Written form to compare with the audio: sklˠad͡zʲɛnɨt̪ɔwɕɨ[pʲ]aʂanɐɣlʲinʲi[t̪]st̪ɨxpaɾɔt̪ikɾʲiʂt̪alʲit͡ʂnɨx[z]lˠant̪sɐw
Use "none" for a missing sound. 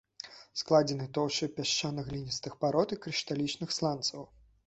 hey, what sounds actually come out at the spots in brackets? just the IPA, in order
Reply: pʲ, none, s

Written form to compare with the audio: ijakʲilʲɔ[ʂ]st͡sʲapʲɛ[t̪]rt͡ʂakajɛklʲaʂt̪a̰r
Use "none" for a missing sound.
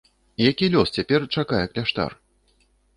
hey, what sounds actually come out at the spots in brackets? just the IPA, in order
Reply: none, none

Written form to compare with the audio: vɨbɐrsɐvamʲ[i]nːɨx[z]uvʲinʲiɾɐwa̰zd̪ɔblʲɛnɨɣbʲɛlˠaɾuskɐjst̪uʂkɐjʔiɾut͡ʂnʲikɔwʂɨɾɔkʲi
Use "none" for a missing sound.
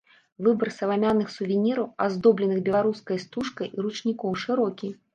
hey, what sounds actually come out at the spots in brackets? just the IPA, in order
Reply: a, s

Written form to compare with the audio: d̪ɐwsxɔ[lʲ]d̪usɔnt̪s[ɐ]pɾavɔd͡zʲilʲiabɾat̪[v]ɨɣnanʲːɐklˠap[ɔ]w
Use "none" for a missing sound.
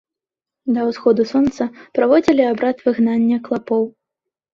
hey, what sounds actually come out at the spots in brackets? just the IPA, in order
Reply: none, ɐ, v, ɔ

